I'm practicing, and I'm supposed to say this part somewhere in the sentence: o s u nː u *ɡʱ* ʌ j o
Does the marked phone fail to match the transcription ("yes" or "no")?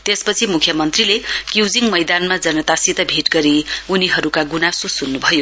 yes